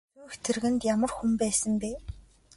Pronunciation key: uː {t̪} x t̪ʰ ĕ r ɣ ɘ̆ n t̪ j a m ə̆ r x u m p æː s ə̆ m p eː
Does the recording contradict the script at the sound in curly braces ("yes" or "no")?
yes